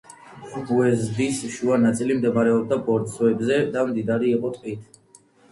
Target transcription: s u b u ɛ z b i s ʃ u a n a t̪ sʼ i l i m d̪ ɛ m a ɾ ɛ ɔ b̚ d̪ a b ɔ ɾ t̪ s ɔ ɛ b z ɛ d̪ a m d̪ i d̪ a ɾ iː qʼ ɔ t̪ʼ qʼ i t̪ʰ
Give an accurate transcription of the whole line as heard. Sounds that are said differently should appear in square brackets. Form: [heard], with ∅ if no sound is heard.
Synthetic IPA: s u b u ɛ z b i s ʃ u a n a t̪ sʼ i l i m d̪ ɛ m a ɾ ɛ ɔ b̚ d̪ a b ɔ ɾ t̪ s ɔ ɛ b z ɛ d̪ a m d̪ i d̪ a ɾ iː qʼ ɔ t̪ʼ qʼ i t̪ʰ

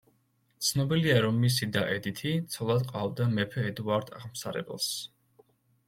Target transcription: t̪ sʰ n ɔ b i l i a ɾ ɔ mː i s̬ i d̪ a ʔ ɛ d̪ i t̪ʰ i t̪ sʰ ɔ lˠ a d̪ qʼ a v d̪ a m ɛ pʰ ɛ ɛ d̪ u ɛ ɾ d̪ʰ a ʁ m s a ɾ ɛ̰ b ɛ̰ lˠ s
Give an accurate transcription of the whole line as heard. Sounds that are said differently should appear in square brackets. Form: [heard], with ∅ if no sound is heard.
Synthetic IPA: t̪ sʰ n ɔ b i l i a ɾ ɔ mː i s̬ i d̪ a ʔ ɛ d̪ i t̪ʰ i t̪ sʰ ɔ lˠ a d̪ qʼ a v d̪ a m ɛ pʰ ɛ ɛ d̪ u [a] ɾ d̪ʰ a ʁ m s a ɾ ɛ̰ b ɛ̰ lˠ s

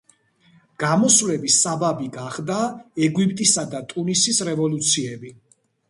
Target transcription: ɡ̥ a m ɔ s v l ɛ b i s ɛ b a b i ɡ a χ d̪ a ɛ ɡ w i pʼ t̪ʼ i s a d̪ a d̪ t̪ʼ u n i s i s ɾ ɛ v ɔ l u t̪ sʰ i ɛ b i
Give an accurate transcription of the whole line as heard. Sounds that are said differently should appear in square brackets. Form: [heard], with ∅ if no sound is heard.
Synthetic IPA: ɡ̥ a m ɔ s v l ɛ b i s [a] b a b i ɡ a χ d̪ a ɛ ɡ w i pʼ t̪ʼ i s a d̪ a [∅] t̪ʼ u n i s i s ɾ ɛ v ɔ l u t̪ sʰ i ɛ b i

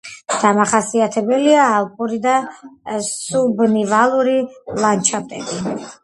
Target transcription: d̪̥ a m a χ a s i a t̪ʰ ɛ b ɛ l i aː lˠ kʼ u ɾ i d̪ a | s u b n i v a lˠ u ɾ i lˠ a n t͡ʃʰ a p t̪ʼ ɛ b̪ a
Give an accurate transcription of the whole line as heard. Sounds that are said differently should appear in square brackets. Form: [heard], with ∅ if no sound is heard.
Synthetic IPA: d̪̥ a m a χ a s i a t̪ʰ ɛ b ɛ l i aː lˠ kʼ u ɾ i d̪ a | s u b n i v a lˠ u ɾ i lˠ a n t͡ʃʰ a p t̪ʼ ɛ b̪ [i]

